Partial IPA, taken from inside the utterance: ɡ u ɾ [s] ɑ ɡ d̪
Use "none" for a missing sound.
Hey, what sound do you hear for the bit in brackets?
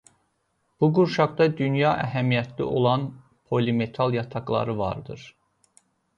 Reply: ʃ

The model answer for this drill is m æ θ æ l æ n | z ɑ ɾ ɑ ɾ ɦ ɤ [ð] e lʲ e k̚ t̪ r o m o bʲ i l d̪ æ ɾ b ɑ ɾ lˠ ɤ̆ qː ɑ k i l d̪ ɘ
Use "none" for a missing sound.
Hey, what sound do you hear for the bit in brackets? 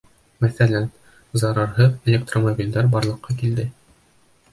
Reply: ð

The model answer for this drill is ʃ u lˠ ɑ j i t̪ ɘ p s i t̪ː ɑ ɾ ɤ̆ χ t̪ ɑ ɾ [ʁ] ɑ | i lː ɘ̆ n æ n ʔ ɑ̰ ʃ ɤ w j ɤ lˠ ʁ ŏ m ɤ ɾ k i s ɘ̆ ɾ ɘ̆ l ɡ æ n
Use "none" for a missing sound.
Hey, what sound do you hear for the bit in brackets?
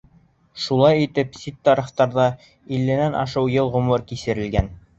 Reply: ð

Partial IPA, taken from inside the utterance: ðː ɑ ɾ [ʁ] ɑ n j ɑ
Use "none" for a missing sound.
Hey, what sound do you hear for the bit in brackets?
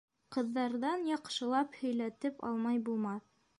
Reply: ð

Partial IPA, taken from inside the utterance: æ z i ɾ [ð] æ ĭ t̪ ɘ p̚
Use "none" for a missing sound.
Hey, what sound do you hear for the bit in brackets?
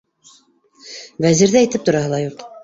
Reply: ð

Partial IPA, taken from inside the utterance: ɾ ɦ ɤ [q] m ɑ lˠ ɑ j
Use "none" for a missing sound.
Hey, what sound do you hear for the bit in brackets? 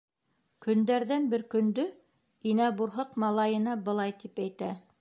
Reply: q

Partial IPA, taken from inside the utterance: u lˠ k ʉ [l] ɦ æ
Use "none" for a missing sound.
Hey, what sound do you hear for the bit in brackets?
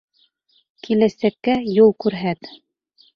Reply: ɾ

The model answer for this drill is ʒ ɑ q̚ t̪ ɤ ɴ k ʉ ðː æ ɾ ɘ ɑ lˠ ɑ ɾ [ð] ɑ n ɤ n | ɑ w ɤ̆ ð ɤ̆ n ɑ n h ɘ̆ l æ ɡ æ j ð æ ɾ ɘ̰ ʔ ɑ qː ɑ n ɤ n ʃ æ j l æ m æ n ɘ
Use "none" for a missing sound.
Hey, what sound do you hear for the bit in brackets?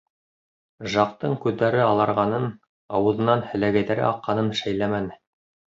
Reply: ʁ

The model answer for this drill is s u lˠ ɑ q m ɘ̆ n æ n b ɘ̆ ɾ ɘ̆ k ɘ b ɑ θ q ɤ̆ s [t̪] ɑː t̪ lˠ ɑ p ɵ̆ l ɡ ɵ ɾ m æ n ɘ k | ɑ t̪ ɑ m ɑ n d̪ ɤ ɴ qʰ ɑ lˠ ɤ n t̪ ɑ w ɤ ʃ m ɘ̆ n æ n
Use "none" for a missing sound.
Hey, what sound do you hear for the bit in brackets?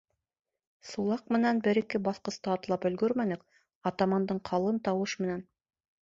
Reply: t̪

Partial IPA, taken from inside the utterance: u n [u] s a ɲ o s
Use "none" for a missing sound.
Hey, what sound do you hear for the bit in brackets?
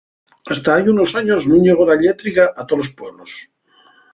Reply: o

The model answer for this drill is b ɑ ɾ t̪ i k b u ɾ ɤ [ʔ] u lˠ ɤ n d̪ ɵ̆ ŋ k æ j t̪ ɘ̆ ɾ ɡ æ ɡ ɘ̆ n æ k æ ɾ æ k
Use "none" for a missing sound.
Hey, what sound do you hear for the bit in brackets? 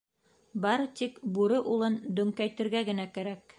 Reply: ʔ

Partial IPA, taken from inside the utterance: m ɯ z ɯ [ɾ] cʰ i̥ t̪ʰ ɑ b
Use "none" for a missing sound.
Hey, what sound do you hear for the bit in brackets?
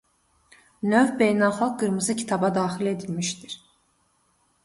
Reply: none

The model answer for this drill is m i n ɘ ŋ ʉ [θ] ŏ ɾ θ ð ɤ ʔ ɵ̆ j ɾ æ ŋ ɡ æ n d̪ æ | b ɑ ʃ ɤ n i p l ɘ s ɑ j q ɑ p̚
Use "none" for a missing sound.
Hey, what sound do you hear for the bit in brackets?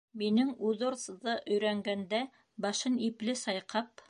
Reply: ð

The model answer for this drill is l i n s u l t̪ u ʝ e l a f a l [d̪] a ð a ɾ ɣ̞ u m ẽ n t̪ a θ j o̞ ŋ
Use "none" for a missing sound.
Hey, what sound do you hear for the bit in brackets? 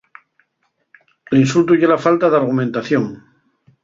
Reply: t̪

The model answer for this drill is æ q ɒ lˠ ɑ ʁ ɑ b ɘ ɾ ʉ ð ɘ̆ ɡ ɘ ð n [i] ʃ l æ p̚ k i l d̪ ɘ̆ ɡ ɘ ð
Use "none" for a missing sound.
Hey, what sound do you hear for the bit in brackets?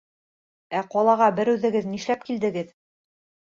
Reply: i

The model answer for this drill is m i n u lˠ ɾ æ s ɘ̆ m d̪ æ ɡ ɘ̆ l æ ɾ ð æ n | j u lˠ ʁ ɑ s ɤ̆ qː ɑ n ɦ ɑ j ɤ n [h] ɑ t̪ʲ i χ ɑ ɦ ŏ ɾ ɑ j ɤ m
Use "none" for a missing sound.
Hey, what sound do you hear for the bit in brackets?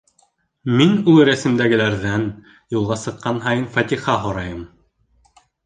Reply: f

